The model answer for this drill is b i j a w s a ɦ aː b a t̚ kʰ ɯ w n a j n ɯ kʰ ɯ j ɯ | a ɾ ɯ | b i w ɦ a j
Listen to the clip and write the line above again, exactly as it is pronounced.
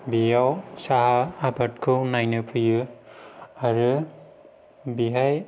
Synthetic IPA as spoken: b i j a w s a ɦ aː b a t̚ kʰ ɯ w n a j n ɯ pʰ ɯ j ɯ | a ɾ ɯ | b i ɦ a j